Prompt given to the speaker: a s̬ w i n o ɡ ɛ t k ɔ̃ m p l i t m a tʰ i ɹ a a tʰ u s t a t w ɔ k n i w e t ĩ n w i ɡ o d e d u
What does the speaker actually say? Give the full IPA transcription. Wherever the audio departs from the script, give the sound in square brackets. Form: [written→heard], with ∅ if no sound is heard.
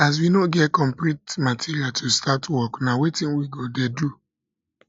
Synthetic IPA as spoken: a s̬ w i n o ɡ ɛ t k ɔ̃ m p l i t m a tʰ i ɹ [a→i] a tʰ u s t a t w ɔ k n [i→a] w e t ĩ n w i ɡ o d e d u